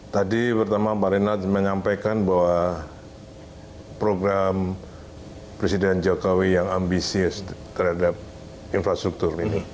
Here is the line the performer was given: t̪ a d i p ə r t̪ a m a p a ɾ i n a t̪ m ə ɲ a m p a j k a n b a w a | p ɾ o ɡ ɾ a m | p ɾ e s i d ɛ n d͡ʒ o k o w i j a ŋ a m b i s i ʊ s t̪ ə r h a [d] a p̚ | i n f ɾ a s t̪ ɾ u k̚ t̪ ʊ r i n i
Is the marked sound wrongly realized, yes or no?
no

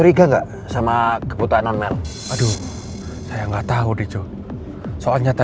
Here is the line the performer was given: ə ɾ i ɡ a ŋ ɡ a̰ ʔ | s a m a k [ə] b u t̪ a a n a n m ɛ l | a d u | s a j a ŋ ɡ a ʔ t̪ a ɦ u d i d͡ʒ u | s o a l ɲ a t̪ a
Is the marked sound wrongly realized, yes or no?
no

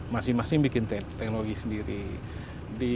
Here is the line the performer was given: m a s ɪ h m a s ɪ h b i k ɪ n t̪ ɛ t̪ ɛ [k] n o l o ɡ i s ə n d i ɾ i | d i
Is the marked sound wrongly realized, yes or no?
no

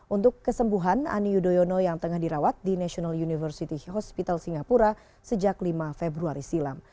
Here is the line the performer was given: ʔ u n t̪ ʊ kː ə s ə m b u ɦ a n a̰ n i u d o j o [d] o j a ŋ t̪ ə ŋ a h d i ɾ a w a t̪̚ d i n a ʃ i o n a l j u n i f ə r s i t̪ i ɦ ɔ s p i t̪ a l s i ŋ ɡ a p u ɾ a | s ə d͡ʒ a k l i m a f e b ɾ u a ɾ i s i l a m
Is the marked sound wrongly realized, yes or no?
yes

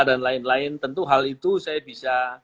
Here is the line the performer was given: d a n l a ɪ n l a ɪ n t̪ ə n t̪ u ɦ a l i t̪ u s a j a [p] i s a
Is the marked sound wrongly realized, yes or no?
yes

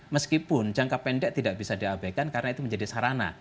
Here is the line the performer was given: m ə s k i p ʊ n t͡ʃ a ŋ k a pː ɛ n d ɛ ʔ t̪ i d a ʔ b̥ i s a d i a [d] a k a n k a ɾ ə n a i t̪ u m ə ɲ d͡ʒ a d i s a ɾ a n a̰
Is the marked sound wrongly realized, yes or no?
yes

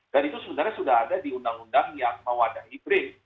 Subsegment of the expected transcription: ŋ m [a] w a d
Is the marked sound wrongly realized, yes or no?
yes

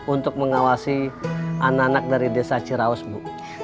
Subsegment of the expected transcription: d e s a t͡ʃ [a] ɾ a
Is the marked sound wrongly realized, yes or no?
yes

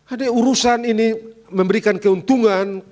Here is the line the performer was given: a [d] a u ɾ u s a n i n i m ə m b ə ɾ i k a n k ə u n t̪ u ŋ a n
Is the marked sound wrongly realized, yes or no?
no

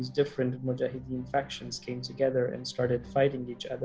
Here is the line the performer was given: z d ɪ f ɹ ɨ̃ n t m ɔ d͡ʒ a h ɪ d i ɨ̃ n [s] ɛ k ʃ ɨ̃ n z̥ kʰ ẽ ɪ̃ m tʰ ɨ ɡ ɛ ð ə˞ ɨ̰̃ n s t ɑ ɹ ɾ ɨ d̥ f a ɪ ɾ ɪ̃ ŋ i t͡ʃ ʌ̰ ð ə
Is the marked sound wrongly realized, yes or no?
yes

